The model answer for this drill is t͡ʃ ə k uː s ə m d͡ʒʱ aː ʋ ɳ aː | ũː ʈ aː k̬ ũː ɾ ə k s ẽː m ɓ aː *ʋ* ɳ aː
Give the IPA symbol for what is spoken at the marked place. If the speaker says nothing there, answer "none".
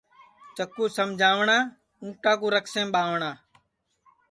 ʋ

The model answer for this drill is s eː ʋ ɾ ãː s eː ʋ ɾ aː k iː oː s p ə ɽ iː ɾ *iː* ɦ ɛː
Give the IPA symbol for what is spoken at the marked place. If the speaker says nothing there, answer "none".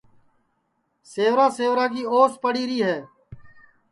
iː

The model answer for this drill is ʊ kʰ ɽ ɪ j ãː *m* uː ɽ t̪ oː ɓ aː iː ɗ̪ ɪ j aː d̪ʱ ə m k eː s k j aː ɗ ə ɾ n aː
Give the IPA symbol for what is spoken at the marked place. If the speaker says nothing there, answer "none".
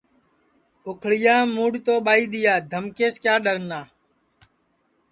m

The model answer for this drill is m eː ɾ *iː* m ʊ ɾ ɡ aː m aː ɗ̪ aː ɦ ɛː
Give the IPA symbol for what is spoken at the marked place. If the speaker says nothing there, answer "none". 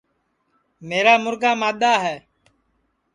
aː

